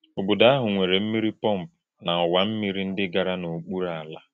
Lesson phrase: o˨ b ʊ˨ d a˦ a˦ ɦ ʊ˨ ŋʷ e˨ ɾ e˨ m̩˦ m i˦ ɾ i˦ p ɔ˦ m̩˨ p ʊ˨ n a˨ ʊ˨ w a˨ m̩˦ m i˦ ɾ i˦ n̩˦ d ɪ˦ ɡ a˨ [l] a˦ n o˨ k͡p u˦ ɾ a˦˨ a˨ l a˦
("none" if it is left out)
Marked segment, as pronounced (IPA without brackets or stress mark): ɾ